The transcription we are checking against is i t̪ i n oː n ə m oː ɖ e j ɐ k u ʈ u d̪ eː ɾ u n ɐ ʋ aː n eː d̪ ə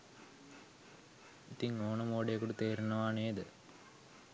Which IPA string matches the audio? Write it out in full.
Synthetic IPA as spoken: i t̪ i ŋ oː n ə m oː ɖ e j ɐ k u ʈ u t̪ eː ɾ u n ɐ ʋ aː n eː d̪ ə